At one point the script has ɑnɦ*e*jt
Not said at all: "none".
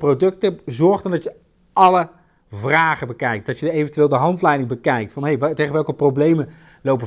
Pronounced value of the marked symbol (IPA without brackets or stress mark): e